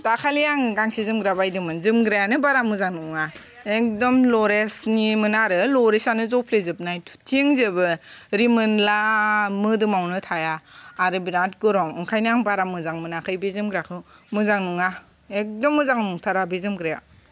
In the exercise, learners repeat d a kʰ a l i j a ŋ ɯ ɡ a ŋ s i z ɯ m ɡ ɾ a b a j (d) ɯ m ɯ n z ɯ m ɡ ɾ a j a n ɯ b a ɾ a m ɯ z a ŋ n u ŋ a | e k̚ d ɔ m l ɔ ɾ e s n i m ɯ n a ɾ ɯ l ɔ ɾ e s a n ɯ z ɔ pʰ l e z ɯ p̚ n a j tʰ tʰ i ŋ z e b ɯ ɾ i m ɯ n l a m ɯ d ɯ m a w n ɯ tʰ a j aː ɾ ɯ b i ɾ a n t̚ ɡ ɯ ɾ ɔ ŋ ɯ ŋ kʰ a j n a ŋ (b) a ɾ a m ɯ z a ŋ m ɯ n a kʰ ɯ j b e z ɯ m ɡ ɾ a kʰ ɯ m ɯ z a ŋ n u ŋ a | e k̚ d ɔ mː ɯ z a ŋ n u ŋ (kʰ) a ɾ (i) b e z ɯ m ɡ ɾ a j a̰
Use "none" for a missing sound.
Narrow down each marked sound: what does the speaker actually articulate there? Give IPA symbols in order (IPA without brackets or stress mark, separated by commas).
d, b, tʰ, a